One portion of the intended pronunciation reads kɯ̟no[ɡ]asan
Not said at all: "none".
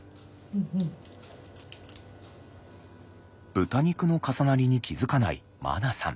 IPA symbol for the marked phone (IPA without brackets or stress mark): k